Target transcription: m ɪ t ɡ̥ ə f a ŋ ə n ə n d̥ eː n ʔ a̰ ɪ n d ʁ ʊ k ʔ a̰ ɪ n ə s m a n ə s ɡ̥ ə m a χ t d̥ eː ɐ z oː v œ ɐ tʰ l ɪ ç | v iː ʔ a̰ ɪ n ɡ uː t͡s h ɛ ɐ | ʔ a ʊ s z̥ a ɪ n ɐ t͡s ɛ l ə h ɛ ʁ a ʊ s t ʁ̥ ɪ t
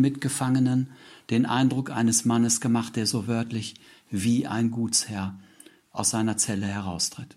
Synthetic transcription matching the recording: m ɪ t ɡ̥ ə f a ŋ ə n ə n d̥ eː n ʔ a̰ ɪ n d ʁ ʊ k ʔ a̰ ɪ n ə s m a n ə s ɡ̥ ə m a χ t d̥ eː ɐ z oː v œ ɐ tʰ l ɪ ç | v iː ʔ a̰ ɪ n ɡ uː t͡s h ɛ ɐ | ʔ a ʊ s z̥ a ɪ n ɐ t͡s ɛ l ə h ɛ ʁ a ʊ s t ʁ̥ ɪ t